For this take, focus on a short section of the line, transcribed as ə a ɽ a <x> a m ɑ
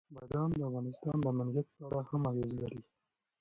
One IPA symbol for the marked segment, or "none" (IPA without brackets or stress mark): h